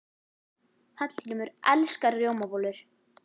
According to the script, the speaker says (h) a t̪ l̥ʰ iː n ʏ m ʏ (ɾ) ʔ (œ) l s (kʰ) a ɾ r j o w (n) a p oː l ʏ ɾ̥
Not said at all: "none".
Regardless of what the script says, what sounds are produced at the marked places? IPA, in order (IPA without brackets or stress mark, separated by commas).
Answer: θ, ɾ, ɛ, k, m